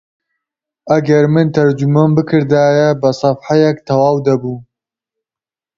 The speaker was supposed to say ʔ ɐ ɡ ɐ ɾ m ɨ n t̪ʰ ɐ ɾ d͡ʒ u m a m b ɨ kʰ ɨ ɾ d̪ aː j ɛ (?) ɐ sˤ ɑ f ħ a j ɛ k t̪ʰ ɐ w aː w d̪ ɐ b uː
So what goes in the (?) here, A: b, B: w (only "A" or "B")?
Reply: A